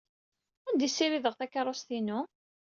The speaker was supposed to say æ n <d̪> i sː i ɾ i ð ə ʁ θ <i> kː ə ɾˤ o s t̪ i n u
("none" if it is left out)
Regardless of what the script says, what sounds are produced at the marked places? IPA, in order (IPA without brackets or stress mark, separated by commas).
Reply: d̪, æ